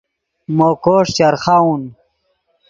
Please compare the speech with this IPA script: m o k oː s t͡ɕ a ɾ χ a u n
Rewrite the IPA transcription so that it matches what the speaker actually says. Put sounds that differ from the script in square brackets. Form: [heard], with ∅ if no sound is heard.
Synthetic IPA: m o k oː [ʂ] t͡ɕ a ɾ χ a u n